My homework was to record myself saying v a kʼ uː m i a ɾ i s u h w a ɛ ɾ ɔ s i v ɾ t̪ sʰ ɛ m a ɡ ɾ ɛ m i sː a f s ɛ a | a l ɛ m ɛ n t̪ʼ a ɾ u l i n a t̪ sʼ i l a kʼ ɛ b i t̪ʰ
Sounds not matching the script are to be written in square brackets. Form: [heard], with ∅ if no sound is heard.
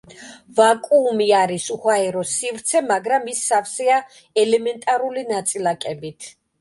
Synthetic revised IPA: v a kʼ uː m i a ɾ i s u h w a ɛ ɾ ɔ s i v ɾ t̪ sʰ ɛ m a ɡ ɾ [a] m i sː a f s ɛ a | [ɛ] l ɛ m ɛ n t̪ʼ a ɾ u l i n a t̪ sʼ i l a kʼ ɛ b i t̪ʰ